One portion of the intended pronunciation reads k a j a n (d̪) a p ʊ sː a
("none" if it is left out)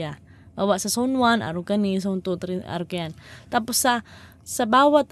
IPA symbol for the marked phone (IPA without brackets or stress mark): t̪